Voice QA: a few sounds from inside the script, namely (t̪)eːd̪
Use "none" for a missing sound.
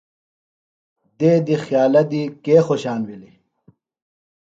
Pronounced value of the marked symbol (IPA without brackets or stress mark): d̪